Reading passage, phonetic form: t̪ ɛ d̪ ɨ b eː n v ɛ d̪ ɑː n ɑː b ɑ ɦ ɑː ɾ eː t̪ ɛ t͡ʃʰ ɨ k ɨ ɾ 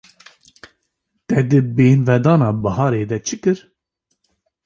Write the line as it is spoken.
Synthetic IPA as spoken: t̪ ɛ d̪ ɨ b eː n v ɛ d̪ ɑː n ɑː b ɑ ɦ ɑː ɾ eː d̪ ɛ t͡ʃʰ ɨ k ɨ ɾ